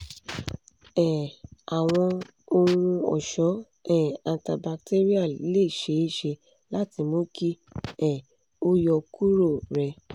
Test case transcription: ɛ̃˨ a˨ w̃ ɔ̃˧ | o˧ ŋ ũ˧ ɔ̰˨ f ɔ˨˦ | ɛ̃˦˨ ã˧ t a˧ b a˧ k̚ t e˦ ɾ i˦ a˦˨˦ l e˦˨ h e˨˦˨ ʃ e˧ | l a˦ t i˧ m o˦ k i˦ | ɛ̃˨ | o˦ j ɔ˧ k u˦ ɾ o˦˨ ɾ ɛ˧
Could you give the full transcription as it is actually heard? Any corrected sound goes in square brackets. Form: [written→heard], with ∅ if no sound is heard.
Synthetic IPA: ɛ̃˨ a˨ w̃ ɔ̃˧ | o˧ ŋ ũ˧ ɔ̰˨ [f→ʃ] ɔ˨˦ | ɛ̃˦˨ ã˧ t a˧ b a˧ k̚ t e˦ ɾ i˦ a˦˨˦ l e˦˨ [h→ʃ] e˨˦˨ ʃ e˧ | l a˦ t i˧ m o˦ k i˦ | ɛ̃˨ | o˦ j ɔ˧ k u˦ ɾ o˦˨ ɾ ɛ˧